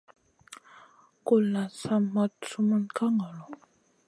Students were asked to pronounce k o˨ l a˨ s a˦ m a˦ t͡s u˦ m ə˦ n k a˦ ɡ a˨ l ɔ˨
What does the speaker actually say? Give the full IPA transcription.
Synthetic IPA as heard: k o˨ l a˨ s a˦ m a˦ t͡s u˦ m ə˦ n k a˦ ŋ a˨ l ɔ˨